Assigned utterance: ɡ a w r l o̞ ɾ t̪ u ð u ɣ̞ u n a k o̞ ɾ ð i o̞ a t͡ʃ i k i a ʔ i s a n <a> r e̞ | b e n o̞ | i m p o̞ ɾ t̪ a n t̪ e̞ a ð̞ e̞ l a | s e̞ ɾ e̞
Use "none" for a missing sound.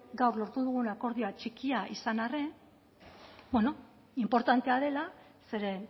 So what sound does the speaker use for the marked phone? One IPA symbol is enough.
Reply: a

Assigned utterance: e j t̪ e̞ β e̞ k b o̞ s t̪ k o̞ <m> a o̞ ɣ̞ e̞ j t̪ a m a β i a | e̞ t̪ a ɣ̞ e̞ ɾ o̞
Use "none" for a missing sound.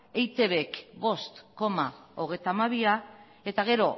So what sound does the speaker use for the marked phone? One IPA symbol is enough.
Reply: m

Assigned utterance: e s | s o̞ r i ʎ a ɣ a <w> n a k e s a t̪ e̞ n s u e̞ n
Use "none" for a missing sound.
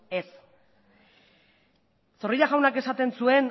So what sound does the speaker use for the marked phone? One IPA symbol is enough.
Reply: w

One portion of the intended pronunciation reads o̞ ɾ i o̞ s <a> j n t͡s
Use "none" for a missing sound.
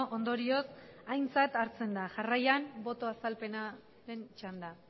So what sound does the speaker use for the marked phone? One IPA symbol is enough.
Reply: a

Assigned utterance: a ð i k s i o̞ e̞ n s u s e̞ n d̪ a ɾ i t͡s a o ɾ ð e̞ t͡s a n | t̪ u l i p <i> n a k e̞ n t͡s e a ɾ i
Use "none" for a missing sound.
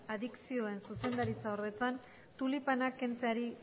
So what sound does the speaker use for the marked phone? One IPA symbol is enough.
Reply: a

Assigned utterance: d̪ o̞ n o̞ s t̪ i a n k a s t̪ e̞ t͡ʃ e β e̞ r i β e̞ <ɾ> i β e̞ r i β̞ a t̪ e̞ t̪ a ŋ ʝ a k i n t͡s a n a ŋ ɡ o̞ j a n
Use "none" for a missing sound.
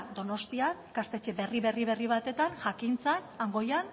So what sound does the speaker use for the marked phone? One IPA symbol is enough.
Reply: r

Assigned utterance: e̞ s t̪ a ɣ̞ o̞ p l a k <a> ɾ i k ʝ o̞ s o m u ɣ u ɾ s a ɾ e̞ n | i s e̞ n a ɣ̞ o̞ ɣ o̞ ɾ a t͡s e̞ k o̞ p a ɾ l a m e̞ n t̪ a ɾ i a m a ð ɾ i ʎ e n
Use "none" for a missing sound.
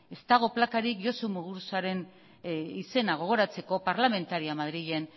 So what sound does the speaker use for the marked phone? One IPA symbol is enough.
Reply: a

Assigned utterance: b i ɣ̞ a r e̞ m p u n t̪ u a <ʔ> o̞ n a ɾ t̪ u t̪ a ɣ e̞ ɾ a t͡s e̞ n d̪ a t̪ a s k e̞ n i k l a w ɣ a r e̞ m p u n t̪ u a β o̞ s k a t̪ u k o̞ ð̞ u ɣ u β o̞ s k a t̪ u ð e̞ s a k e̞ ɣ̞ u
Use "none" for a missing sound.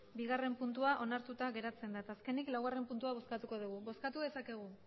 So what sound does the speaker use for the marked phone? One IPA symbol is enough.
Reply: ʔ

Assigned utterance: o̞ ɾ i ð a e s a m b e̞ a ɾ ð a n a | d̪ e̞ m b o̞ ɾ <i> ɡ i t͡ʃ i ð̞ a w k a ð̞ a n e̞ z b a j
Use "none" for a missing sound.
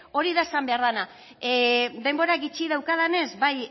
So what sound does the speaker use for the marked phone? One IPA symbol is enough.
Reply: a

